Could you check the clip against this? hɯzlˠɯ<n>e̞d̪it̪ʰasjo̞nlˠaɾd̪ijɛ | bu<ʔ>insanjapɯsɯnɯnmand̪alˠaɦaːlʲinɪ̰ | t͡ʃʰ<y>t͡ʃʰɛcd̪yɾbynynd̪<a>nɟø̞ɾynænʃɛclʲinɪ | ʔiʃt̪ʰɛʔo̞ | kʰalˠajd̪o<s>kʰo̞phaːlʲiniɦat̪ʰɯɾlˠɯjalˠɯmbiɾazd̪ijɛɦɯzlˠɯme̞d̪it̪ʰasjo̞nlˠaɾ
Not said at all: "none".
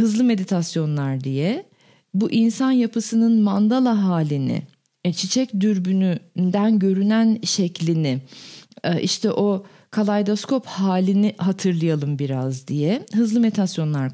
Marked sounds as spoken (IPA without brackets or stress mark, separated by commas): m, ʔ, i, æ, s